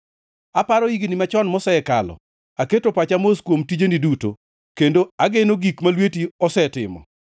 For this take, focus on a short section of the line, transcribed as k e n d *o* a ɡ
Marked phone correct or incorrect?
correct